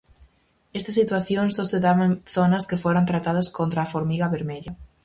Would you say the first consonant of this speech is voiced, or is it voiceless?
voiceless